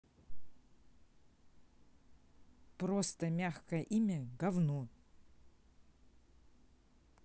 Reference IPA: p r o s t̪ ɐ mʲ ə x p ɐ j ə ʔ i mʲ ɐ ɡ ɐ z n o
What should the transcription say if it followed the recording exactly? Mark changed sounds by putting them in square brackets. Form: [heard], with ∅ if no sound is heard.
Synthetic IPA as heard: p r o s t̪ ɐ mʲ [a] x [k] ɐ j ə ʔ i mʲ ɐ ɡ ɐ [v] n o

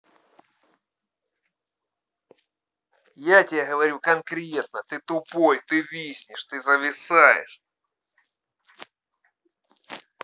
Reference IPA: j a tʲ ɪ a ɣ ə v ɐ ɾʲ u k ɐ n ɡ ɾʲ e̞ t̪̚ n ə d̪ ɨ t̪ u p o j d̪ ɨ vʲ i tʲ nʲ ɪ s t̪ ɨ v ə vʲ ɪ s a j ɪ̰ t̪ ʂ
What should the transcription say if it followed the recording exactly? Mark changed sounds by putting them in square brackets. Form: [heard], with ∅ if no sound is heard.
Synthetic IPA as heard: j a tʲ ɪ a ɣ ə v ɐ ɾʲ u k ɐ n [k] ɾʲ e̞ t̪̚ n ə [t̪] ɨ t̪ [ʊ] p o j [t̪] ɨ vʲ i [sʲ] nʲ ɪ [ʂ] t̪ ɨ [z] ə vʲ ɪ s a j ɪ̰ [∅] ʂ

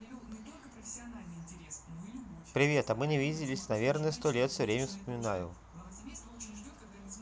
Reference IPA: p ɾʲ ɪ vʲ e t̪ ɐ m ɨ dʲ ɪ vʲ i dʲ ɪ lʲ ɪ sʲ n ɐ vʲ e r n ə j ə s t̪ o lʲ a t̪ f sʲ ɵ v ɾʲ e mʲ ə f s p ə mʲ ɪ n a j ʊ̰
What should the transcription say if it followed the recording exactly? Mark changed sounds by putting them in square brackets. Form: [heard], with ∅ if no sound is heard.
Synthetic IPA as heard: p ɾʲ ɪ vʲ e t̪ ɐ m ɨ [nʲ] ɪ vʲ i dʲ ɪ lʲ ɪ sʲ n ɐ vʲ e r n ə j ə s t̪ o lʲ [e] t̪ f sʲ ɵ v ɾʲ e mʲ ə f s p ə mʲ ɪ n a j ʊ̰

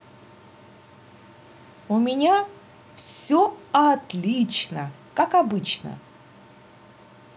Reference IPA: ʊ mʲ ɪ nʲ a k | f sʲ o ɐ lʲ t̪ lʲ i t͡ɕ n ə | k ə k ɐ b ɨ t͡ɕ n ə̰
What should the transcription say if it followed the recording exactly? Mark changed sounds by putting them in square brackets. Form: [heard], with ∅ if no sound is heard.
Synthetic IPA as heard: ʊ mʲ ɪ nʲ a [∅] | f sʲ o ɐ [∅] t̪ lʲ i t͡ɕ n ə | k [a] k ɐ b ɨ t͡ɕ n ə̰

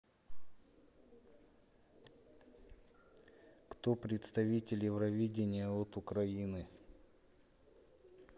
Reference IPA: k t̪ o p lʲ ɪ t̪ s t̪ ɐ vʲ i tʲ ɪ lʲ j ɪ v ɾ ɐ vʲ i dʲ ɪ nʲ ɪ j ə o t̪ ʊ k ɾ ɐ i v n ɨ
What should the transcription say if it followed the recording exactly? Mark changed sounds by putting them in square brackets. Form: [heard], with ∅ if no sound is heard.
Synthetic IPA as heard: k t̪ o p [ɾʲ] ɪ t̪ s t̪ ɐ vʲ i tʲ ɪ lʲ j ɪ v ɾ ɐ vʲ i dʲ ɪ nʲ ɪ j ə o t̪ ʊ k ɾ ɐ i [∅] n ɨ

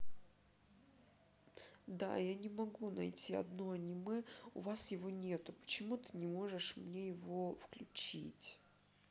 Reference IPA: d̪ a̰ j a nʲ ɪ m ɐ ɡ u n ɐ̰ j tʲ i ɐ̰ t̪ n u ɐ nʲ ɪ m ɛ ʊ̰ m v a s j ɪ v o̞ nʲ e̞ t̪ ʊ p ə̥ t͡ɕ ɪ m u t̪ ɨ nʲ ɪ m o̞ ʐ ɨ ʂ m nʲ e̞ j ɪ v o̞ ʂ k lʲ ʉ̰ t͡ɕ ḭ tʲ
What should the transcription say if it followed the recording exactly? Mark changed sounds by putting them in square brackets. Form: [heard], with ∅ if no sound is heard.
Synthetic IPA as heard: d̪ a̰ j a nʲ ɪ m ɐ ɡ u n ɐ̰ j tʲ i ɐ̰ [d̪] n [o] ɐ nʲ ɪ m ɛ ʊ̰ [∅] v a s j ɪ v o̞ nʲ e̞ t̪ ʊ p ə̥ t͡ɕ ɪ m u t̪ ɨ nʲ ɪ m o̞ ʐ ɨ ʂ m nʲ e̞ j ɪ v o̞ [f] k lʲ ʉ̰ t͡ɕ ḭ tʲ

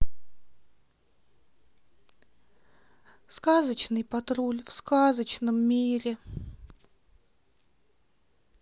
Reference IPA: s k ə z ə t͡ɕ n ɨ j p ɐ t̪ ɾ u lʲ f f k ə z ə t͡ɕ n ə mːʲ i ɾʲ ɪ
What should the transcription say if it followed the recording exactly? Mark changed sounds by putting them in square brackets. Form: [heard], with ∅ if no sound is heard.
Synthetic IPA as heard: s k [a] z ə t͡ɕ n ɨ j p ɐ t̪ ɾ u lʲ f [s] k [a] z ə t͡ɕ n ə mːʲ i ɾʲ ɪ

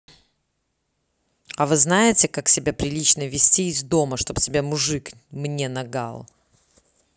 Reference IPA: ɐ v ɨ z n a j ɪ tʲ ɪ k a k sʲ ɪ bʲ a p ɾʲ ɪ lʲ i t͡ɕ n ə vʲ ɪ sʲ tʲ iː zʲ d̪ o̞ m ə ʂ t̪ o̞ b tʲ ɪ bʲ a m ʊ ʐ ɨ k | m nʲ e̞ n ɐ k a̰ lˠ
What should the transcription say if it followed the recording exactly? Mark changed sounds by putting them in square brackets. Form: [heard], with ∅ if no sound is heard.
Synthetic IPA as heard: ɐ v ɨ z n a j ɪ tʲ ɪ k a k sʲ ɪ bʲ a p ɾʲ ɪ lʲ i t͡ɕ n ə vʲ ɪ sʲ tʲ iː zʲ d̪ o̞ m ə ʂ t̪ o̞ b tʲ ɪ bʲ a m ʊ ʐ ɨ k | m nʲ e̞ n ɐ [ɡ] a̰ lˠ

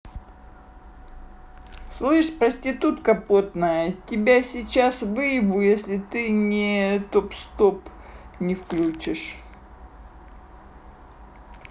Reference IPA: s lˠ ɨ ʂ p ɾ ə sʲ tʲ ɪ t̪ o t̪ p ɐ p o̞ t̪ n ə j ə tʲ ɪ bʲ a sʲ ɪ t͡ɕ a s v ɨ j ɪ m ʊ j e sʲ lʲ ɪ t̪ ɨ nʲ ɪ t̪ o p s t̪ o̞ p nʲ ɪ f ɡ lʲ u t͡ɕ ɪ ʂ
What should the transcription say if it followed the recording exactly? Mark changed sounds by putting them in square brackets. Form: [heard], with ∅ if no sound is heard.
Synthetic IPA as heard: s lˠ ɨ ʂ p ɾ ə sʲ tʲ ɪ t̪ [u] t̪ [k] ɐ p o̞ t̪ n ə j ə tʲ ɪ bʲ a sʲ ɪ t͡ɕ a s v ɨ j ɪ [b] ʊ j e sʲ lʲ ɪ t̪ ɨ nʲ ɪ t̪ o p s t̪ o̞ p nʲ ɪ f [k] lʲ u t͡ɕ ɪ ʂ

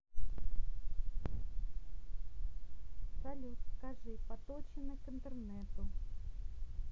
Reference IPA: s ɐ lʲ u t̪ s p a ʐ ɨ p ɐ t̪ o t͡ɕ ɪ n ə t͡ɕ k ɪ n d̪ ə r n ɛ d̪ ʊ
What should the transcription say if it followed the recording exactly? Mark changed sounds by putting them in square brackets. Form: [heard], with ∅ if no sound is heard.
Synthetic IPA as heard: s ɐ lʲ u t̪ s [k] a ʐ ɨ p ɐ t̪ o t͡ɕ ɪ n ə [∅] k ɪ n [t̪] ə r n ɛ [t̪] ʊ

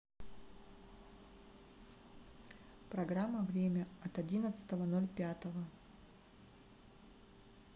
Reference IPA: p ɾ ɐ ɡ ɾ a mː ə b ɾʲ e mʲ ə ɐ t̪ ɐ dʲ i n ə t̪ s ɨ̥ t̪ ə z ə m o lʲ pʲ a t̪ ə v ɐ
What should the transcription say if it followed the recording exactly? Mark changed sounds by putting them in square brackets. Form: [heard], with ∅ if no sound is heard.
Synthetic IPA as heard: p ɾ ɐ ɡ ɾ a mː ə [v] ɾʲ e mʲ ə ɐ t̪ ɐ dʲ i n ə t̪ s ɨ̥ t̪ ə [v] ə [n] o lʲ pʲ a t̪ ə v [ə]

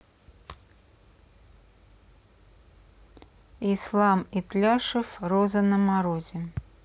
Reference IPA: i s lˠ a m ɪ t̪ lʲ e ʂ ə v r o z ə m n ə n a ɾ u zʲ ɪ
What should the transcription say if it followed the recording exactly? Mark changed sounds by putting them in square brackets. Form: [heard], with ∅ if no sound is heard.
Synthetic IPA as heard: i s lˠ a m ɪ t̪ lʲ [a] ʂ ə [f] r o z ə [∅] n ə [m] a ɾ [o] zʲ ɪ

